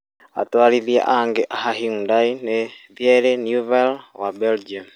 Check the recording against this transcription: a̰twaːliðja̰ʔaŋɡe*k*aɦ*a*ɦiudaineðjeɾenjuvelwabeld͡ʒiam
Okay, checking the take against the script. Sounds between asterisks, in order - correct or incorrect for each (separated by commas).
incorrect, correct